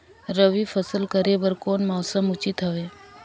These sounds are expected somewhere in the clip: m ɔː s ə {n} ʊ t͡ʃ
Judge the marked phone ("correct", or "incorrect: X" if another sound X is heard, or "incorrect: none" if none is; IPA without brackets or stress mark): incorrect: m